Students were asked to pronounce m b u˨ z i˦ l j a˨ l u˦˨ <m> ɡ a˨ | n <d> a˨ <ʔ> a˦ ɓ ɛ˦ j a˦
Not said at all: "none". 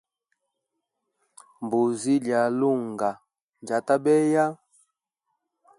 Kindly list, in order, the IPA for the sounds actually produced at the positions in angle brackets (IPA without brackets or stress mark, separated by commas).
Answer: ŋ, d͡ʒ, t